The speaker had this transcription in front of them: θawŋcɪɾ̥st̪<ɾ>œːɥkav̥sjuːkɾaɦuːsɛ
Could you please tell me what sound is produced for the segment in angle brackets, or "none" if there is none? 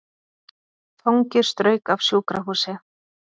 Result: ɾ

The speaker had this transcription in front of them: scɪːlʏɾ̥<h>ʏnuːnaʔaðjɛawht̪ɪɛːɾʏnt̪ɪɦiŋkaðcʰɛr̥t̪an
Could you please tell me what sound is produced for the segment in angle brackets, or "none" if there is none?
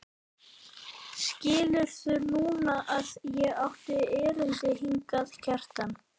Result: θ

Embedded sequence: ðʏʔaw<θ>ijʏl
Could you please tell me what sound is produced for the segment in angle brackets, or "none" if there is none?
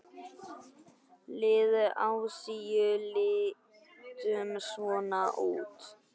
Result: s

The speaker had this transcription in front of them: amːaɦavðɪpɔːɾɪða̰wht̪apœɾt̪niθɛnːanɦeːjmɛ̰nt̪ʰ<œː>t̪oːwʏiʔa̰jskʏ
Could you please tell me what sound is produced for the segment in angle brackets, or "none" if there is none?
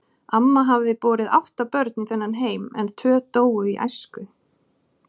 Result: œː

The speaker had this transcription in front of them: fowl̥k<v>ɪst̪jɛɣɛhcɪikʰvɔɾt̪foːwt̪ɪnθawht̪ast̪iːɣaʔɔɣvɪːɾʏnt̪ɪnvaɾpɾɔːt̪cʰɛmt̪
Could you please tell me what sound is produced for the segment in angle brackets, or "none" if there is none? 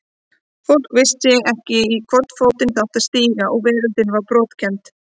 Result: v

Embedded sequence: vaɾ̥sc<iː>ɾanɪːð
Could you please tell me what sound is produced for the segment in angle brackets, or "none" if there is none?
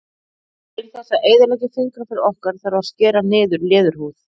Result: ɛː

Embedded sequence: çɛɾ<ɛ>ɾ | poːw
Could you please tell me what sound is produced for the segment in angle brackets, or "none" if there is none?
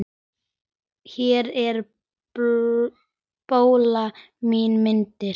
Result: ɛ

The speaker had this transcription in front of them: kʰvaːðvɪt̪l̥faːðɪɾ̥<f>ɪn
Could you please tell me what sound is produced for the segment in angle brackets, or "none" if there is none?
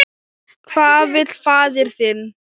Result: θ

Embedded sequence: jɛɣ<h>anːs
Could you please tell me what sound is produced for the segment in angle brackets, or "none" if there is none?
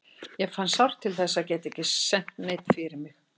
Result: f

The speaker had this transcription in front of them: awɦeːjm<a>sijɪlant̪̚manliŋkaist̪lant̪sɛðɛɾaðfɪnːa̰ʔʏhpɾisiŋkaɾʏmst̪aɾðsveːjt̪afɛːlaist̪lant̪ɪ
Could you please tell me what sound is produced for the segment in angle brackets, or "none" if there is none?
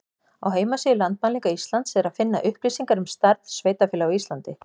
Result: a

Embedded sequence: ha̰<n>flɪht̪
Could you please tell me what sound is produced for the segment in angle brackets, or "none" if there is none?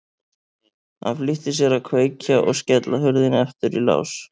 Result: n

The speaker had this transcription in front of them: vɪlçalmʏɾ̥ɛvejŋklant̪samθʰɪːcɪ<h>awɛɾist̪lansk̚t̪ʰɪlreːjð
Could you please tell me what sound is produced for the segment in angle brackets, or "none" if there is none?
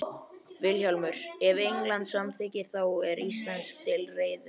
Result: θ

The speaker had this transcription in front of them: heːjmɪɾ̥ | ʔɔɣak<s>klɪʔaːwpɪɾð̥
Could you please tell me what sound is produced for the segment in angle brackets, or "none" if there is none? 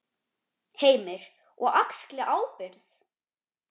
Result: s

